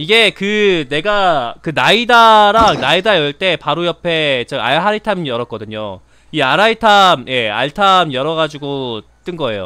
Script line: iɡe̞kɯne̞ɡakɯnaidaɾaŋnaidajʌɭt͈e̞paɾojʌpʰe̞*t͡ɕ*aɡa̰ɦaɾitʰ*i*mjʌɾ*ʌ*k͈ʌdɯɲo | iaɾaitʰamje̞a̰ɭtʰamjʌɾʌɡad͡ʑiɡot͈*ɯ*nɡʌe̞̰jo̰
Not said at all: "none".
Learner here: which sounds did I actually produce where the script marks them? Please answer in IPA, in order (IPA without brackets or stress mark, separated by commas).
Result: t͡ɕ, a, ʌ, ɯ